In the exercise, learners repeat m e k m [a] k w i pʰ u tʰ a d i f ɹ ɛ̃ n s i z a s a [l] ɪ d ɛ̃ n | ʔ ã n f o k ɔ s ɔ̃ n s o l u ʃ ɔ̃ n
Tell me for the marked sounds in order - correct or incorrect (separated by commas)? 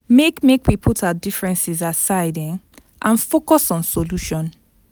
incorrect, incorrect